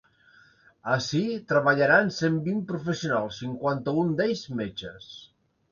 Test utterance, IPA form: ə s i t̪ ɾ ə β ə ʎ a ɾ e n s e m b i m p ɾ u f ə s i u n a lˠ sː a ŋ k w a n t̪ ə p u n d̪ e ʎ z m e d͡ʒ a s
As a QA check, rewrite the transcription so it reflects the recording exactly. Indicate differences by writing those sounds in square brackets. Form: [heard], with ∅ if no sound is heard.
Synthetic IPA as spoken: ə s i t̪ ɾ ə β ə ʎ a ɾ [a] n s e m b i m p ɾ u f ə s i u n a lˠ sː [i] ŋ k w a n t̪ ə [∅] u n d̪ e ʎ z m e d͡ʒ [ə] s